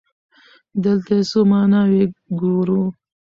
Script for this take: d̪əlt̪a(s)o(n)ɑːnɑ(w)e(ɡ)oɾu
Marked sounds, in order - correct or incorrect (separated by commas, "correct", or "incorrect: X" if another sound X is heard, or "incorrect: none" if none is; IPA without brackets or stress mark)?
correct, incorrect: m, correct, correct